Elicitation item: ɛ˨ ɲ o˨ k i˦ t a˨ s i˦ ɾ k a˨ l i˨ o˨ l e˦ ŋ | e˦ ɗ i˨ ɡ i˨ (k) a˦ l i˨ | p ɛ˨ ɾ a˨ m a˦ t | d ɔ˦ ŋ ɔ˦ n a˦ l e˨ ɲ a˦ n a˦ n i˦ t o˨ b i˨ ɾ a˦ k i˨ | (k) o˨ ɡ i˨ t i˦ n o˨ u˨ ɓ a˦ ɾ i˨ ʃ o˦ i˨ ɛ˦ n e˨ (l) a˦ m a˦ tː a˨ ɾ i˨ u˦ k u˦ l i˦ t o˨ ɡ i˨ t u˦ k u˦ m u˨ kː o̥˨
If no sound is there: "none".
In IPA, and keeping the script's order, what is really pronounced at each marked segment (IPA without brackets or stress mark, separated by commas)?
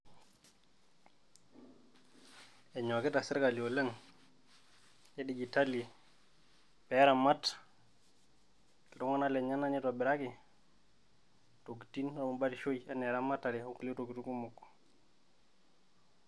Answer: t, t, ɾ